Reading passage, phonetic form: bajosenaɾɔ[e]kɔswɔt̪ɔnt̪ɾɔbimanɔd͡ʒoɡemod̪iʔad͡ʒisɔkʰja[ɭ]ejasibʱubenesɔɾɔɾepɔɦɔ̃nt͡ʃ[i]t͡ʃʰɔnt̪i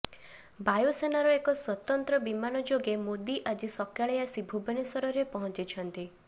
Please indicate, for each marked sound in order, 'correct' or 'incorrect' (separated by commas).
correct, correct, correct